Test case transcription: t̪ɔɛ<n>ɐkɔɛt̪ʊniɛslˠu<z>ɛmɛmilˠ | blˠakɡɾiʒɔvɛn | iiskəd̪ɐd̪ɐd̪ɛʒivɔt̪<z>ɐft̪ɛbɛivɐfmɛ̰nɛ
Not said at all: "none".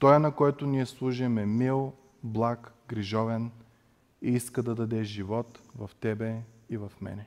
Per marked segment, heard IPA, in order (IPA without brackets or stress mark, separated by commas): n, ʒ, v